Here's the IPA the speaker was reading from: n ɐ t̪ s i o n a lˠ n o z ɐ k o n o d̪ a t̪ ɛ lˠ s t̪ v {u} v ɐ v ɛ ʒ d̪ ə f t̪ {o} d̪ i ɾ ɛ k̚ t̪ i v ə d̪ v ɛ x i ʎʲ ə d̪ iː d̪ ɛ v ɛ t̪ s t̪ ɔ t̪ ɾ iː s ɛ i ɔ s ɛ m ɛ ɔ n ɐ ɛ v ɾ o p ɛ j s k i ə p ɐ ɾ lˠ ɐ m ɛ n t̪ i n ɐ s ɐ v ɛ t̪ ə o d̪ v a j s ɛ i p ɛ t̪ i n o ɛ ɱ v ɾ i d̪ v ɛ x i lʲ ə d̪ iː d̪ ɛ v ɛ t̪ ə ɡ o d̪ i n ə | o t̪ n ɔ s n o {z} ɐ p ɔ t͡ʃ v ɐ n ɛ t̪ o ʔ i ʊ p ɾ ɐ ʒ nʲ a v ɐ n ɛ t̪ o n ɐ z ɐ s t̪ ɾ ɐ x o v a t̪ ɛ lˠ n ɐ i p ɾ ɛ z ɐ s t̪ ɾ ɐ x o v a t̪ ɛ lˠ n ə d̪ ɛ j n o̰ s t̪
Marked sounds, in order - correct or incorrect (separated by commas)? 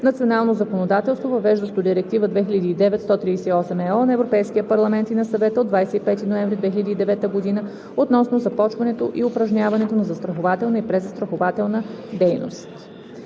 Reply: incorrect, correct, correct